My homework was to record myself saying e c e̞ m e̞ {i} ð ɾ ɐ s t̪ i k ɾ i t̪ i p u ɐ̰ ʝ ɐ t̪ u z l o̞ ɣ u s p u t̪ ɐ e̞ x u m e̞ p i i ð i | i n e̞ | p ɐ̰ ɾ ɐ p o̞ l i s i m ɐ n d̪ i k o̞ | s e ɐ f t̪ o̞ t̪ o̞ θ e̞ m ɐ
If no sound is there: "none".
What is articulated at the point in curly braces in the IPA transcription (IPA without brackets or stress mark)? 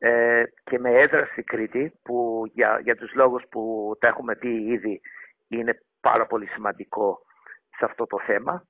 e